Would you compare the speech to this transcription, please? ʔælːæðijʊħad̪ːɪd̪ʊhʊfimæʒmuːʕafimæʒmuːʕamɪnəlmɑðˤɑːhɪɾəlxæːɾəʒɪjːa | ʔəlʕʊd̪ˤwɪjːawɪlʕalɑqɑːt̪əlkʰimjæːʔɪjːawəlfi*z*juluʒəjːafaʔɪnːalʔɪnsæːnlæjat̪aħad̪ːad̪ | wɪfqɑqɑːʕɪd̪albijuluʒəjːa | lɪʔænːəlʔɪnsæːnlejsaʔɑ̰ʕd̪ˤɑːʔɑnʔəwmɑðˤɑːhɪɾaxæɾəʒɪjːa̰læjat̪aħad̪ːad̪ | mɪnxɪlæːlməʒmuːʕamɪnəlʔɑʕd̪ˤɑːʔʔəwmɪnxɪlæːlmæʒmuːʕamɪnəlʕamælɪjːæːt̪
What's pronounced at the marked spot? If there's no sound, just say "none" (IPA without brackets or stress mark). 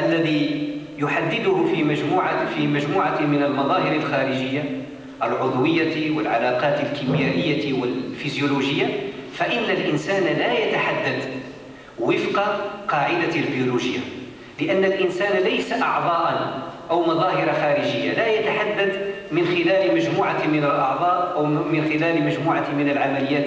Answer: z